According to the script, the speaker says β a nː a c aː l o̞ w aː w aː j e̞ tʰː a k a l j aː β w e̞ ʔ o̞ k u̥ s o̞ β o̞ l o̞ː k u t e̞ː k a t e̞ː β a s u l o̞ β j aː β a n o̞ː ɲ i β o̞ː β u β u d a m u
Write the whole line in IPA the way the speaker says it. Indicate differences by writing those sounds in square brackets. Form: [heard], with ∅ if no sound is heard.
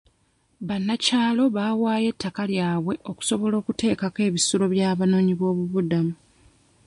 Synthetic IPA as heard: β a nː a c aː l o̞ [β] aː w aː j e̞ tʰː a k a l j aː β w e̞ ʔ o̞ k u̥ s o̞ β o̞ l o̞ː k u t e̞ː k a [k] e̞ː β [i] s u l o̞ β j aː β a n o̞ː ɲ i β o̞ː β u β u d a m u